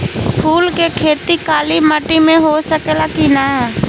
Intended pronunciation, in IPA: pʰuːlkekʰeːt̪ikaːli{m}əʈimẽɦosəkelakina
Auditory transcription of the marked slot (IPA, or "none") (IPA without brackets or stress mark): m